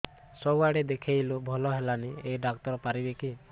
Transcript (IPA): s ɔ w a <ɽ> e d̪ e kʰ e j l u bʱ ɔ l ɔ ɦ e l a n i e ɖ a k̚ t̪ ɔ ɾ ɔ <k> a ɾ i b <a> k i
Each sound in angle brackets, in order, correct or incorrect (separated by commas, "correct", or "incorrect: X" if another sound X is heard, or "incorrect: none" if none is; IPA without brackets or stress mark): correct, incorrect: p, incorrect: e